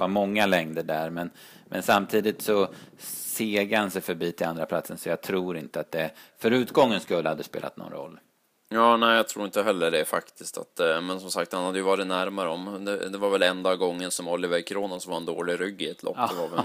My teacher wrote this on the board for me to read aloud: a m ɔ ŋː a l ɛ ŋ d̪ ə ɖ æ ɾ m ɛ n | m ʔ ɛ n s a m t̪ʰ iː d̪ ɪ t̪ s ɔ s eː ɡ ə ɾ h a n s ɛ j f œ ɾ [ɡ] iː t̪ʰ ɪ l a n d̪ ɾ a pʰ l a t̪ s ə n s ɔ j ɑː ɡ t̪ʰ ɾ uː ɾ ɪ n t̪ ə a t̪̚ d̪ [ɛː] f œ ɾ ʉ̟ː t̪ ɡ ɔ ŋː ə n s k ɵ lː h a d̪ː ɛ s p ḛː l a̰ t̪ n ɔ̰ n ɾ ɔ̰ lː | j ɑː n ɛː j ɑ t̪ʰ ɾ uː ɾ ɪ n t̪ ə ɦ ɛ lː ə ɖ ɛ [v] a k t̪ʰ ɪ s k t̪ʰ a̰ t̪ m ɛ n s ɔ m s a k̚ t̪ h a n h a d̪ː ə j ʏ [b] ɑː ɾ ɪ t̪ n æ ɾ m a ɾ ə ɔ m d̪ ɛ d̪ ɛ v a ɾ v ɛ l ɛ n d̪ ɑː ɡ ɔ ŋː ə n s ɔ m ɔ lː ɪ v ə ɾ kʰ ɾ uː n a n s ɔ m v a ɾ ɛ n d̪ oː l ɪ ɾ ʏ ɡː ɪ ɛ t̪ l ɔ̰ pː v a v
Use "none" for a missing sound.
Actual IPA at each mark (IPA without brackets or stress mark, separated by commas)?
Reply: b, ɛ, f, v